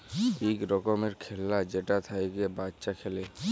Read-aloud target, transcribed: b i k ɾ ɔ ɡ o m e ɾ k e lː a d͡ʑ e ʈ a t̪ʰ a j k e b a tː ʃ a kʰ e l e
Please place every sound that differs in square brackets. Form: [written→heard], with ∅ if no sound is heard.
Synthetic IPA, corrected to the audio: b i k ɾ ɔ [ɡ→k] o m e ɾ [k→kʰ] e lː a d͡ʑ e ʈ a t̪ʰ a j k e b a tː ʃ a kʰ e l e